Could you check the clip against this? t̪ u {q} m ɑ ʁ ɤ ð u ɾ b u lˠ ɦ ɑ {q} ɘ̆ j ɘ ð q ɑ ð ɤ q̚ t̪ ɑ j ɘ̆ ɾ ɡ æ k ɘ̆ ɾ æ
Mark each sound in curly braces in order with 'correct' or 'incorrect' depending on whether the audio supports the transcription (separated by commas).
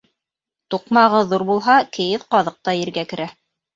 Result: correct, incorrect